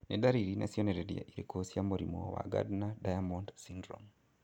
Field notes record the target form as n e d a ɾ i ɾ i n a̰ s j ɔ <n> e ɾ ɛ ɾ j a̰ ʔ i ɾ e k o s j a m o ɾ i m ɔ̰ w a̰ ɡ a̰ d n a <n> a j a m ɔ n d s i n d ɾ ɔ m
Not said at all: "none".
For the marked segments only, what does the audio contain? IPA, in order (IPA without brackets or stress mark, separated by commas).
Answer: n, d